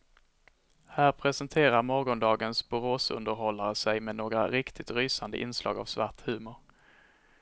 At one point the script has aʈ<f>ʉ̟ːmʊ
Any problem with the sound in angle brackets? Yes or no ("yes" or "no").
yes